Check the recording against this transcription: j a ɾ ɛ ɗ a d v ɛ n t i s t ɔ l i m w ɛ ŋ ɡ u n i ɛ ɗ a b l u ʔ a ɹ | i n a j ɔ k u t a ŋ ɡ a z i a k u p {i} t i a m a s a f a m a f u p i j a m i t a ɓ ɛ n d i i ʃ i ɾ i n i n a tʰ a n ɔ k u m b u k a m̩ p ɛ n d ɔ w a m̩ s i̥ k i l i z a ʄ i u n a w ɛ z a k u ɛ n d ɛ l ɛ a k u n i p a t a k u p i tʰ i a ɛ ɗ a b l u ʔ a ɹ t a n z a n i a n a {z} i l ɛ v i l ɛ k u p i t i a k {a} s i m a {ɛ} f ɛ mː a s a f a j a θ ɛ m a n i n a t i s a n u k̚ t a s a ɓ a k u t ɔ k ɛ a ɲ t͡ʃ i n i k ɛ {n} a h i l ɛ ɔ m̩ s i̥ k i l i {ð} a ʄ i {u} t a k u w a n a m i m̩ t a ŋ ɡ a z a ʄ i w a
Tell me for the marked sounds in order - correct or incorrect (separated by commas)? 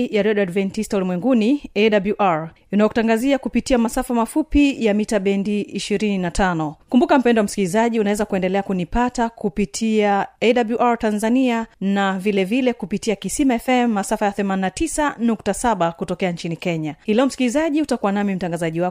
correct, incorrect, incorrect, correct, incorrect, incorrect, correct